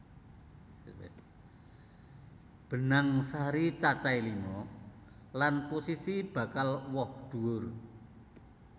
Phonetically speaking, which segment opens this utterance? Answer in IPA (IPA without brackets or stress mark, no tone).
b̥